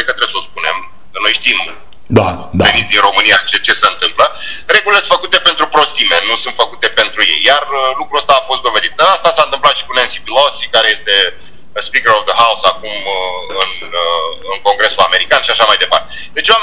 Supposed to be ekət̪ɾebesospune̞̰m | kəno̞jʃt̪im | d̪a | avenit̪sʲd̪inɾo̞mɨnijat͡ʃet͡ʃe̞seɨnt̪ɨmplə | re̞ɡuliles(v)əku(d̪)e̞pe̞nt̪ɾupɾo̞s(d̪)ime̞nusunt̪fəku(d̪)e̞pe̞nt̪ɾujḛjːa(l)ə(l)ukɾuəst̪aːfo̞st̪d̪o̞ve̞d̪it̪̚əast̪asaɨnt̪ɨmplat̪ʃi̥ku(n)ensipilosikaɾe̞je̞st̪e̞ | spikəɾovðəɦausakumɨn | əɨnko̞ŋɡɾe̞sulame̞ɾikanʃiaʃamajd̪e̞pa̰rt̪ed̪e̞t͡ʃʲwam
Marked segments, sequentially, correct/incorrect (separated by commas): incorrect, incorrect, incorrect, incorrect, incorrect, correct, correct